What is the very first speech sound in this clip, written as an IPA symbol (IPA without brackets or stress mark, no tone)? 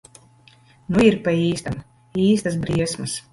n